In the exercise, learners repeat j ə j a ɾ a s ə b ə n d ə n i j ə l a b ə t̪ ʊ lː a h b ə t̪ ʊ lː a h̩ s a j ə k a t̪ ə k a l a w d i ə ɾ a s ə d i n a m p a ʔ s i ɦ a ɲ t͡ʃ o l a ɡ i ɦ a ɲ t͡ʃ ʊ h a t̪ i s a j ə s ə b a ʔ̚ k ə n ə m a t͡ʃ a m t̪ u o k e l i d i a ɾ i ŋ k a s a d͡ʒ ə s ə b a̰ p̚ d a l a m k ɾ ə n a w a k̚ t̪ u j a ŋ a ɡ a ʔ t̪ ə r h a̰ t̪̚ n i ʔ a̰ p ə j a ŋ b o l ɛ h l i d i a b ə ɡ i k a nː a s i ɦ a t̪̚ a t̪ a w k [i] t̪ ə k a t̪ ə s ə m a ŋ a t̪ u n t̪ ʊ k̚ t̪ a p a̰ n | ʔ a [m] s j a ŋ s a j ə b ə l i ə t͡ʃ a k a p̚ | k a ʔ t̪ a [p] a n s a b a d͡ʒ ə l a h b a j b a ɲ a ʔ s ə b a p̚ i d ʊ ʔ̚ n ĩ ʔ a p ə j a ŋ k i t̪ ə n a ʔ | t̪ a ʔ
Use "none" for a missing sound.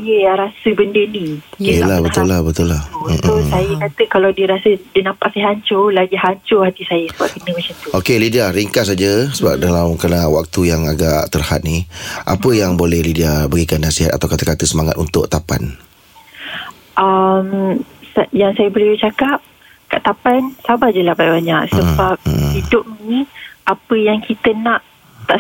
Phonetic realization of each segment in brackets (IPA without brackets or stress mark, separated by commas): a, m, p